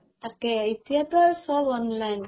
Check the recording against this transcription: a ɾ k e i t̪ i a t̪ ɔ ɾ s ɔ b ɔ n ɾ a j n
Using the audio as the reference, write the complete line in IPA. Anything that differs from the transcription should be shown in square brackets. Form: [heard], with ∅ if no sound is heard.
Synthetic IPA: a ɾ k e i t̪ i a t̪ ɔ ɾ s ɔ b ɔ n [l] a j n